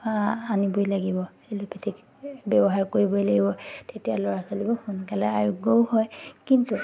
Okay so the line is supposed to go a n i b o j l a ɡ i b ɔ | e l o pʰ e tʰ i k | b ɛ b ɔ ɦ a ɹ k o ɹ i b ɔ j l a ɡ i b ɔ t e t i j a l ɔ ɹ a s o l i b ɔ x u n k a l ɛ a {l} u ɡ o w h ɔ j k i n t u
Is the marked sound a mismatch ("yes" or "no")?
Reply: yes